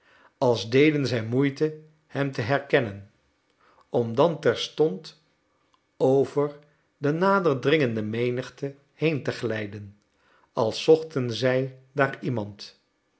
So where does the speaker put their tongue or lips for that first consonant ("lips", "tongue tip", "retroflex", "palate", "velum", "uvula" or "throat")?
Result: tongue tip